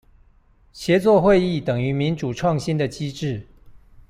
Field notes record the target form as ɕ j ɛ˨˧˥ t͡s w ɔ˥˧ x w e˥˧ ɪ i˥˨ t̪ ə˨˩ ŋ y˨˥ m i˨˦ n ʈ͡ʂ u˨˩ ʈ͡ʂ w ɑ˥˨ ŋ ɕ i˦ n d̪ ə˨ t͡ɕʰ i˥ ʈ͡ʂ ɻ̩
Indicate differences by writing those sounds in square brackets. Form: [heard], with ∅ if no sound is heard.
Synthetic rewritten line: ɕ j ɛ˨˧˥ t͡s w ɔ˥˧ x w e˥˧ ɪ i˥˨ t̪ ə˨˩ ŋ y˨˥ m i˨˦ n ʈ͡ʂ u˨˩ [ʈ͡ʂʰ] w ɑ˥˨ ŋ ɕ i˦ n d̪ ə˨ [t͡ɕ] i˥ ʈ͡ʂ ɻ̩